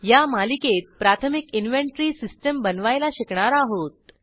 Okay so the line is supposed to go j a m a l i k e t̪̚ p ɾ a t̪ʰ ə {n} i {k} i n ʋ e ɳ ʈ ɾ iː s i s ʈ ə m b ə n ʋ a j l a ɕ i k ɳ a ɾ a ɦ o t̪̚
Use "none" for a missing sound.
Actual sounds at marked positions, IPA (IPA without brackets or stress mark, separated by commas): m, k